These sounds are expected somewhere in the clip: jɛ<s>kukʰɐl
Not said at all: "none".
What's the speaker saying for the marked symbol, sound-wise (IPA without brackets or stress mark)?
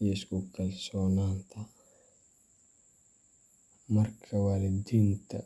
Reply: s